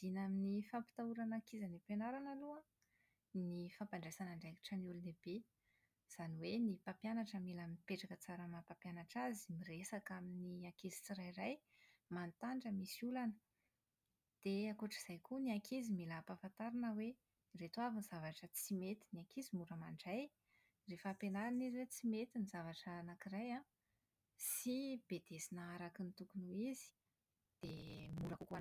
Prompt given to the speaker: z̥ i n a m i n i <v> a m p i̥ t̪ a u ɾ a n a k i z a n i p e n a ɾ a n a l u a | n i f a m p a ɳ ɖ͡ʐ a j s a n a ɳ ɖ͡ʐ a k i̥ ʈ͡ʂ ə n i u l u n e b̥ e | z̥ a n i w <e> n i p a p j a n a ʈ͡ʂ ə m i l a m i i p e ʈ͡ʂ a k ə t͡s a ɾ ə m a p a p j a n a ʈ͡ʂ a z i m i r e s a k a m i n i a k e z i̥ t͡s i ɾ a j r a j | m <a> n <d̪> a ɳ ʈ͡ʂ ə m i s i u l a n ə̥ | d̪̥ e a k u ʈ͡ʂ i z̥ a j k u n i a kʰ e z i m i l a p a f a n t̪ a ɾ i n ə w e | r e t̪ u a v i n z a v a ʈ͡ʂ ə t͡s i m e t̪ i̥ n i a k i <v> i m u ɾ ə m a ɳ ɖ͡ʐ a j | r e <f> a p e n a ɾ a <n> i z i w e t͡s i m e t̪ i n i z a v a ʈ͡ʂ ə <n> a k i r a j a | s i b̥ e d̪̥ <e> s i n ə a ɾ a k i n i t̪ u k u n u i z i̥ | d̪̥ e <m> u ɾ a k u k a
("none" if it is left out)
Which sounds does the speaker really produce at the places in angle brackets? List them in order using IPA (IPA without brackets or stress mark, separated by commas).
f, e, a, t̪, z, f, n, n, e, m